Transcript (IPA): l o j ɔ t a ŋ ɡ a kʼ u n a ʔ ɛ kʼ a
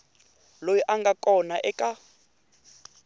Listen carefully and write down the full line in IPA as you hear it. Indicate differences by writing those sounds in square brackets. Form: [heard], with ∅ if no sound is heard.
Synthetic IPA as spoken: l o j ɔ [ʔ] a ŋ ɡ a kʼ [ɔ] n a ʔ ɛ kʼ a